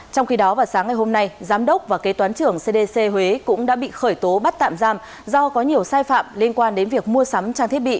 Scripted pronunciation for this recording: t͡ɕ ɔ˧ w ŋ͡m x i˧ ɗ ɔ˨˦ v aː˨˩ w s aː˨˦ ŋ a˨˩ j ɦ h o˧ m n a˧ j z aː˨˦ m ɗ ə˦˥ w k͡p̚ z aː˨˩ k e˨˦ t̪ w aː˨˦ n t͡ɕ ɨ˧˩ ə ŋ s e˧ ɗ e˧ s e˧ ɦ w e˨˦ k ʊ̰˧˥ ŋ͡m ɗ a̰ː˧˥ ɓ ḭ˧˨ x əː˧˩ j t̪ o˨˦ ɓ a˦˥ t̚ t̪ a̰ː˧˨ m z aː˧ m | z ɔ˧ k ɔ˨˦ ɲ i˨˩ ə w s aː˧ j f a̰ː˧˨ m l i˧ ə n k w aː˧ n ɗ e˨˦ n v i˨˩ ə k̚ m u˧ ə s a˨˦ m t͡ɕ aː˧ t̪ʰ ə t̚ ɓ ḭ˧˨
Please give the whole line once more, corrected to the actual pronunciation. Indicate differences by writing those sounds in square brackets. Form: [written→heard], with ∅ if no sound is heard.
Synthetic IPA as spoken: t͡ɕ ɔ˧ w ŋ͡m x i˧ ɗ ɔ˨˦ v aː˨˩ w s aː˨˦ ŋ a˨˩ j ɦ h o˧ m n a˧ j z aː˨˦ m ɗ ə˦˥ w k͡p̚ [z→v] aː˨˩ k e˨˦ t̪ w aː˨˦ n t͡ɕ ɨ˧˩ ə ŋ s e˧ ɗ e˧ s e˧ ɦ w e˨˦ k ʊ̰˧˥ ŋ͡m ɗ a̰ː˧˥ ɓ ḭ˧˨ x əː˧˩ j t̪ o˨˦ ɓ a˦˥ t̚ t̪ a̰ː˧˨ m z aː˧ m | z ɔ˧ k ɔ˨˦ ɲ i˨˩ ə w s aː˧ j f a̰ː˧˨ m l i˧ ə n k w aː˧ n ɗ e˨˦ n v i˨˩ ə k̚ m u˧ ə s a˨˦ m t͡ɕ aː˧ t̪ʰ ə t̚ ɓ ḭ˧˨